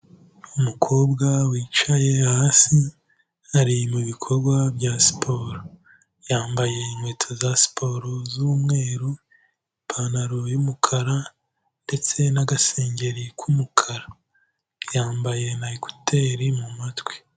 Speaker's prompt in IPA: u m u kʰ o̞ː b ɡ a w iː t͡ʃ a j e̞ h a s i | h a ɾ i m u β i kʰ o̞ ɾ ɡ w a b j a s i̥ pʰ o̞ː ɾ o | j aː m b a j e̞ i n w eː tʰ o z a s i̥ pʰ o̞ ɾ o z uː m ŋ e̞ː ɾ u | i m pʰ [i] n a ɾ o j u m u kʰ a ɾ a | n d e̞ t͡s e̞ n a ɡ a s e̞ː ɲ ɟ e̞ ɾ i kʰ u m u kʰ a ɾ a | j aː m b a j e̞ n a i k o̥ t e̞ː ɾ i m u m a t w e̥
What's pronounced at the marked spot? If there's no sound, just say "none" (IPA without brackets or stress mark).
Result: a